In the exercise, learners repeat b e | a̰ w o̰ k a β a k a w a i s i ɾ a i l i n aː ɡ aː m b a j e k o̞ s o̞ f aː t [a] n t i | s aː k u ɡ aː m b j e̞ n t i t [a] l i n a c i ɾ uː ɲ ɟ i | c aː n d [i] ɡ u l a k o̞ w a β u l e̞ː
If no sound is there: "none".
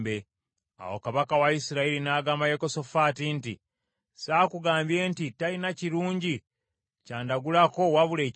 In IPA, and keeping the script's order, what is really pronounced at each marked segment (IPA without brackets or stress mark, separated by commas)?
i, a, a